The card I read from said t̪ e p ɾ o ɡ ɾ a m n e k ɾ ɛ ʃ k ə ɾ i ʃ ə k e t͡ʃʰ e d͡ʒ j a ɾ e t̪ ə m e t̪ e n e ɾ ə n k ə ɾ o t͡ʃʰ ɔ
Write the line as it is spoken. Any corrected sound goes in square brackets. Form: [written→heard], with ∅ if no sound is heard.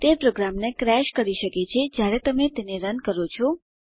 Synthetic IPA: t̪ e p ɾ o ɡ ɾ a m n e k ɾ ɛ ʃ k ə ɾ i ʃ ə k e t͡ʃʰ e d͡ʒ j a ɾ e t̪ ə m e t̪ e n e ɾ ə n k ə ɾ o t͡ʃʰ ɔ